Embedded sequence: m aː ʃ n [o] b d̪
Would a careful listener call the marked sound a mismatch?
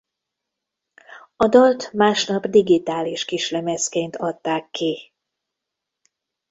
yes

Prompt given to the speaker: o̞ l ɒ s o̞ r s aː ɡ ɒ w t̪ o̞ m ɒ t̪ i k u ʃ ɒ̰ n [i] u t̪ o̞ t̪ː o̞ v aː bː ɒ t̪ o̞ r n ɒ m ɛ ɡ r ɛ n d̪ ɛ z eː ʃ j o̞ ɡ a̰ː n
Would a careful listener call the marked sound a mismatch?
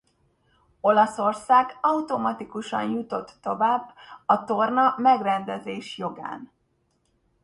yes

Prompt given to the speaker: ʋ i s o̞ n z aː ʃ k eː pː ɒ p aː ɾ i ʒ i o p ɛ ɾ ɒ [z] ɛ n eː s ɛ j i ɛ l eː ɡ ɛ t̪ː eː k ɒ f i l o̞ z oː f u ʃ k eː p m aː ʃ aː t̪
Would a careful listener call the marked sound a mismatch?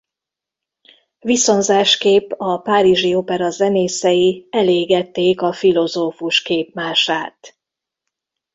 no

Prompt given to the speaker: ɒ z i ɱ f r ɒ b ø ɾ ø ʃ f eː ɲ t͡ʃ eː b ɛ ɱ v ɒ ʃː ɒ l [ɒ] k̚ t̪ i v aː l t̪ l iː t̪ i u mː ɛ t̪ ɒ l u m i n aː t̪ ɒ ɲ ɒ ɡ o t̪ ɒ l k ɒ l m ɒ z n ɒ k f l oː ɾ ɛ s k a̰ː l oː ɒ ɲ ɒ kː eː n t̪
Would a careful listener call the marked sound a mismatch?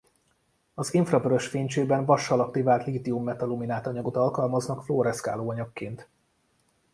no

